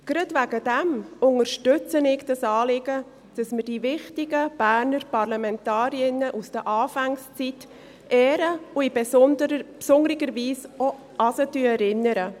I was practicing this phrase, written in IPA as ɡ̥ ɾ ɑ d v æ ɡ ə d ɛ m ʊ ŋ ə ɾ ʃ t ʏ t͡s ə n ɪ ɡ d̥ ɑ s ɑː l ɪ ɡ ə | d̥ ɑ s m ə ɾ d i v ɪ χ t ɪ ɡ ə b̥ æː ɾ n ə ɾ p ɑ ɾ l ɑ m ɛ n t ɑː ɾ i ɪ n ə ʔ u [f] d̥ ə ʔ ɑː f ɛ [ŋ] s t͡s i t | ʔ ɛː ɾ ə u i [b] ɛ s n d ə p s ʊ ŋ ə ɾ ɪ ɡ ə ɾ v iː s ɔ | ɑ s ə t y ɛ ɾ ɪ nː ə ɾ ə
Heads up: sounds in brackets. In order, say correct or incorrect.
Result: incorrect: s, correct, correct

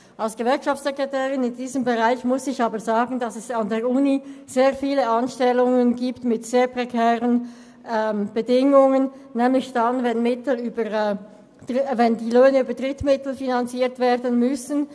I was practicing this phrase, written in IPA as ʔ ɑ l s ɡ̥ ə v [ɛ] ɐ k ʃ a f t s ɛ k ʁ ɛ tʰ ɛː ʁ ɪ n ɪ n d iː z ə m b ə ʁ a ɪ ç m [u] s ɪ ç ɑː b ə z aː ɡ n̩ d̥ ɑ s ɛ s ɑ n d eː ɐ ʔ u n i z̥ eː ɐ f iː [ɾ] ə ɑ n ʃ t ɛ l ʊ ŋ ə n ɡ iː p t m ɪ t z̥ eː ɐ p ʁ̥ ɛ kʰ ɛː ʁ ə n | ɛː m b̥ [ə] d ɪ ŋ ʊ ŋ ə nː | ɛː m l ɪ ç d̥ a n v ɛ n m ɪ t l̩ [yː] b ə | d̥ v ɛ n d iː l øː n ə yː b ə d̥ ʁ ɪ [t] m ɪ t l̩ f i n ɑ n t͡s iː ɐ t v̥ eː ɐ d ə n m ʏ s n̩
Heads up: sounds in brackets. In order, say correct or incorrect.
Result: correct, incorrect: ʊ, incorrect: l, correct, correct, correct

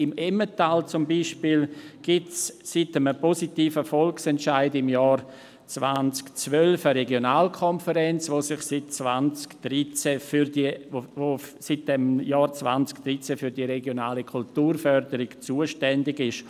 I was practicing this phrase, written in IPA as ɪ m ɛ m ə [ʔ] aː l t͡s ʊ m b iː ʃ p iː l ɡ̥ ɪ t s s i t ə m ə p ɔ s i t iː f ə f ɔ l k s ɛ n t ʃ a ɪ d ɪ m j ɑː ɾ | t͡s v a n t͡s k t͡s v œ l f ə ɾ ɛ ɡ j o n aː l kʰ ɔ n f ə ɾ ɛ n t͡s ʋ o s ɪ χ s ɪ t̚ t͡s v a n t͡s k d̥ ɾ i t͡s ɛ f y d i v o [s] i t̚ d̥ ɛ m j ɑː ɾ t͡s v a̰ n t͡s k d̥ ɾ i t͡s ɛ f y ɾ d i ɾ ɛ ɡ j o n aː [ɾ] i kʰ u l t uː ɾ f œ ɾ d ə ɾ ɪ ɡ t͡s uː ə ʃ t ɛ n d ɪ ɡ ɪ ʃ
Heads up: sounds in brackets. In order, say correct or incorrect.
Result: incorrect: t, correct, incorrect: l

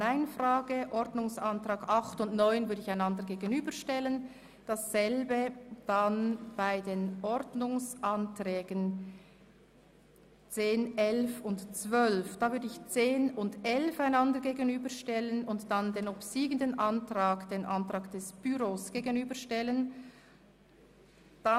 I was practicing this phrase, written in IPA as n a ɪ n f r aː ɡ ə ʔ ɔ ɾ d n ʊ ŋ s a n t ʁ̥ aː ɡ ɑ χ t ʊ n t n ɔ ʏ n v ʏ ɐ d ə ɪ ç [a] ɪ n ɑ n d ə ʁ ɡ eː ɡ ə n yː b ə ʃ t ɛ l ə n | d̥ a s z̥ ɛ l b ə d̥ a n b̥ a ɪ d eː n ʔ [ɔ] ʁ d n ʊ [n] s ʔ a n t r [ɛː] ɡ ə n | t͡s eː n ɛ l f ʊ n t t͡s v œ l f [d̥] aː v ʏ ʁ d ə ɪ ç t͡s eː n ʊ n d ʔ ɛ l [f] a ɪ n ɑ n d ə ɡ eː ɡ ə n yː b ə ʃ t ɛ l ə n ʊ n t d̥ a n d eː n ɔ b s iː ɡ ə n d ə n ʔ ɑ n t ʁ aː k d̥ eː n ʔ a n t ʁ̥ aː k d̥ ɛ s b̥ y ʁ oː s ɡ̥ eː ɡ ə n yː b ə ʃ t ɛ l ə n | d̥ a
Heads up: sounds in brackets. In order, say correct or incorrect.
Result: correct, correct, incorrect: ŋ, correct, correct, correct

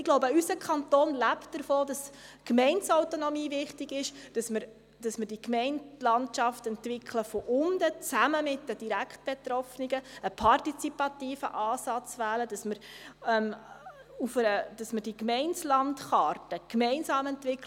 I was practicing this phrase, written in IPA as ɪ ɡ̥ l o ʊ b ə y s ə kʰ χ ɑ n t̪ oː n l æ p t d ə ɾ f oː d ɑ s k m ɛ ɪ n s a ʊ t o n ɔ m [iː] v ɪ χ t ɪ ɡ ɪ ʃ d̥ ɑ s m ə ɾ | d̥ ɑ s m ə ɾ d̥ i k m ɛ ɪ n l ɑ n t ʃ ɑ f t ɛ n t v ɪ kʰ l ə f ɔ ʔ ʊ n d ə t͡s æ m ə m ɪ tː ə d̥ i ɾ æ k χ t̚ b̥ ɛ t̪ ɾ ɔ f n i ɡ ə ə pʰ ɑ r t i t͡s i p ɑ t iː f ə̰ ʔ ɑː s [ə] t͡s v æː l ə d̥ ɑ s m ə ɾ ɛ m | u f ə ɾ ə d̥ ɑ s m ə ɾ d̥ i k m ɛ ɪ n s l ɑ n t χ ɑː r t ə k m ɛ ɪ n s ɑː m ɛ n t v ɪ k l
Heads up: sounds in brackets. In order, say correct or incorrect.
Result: correct, incorrect: ɑ

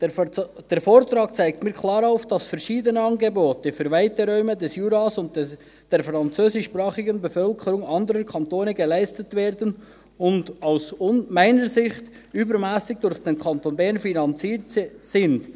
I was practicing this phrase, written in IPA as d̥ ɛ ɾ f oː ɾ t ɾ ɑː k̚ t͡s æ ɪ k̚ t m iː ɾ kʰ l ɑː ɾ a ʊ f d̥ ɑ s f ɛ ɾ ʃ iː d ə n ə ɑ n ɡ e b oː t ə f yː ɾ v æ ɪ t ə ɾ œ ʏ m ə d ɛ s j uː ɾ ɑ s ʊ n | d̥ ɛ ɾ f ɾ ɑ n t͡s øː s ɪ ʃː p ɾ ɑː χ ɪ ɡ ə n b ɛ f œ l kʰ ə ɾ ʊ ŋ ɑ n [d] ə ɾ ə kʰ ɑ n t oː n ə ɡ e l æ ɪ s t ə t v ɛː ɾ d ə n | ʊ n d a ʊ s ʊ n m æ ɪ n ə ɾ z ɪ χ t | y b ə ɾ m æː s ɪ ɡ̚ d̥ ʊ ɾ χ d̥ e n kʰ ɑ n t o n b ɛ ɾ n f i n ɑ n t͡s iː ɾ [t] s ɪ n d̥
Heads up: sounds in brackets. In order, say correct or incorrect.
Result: correct, correct

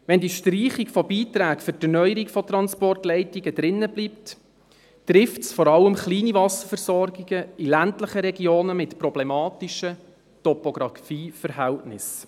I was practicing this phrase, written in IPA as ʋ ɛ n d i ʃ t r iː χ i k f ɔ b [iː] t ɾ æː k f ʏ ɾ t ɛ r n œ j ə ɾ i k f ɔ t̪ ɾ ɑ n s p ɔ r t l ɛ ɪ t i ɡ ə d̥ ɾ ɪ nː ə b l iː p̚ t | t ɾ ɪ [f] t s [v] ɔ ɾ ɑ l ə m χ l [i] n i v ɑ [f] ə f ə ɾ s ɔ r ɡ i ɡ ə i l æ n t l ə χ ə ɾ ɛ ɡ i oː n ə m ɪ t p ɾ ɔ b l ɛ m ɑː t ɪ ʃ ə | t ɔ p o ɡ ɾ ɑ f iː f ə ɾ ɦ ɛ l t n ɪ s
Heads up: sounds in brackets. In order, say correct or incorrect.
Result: correct, correct, incorrect: f, incorrect: iː, incorrect: s

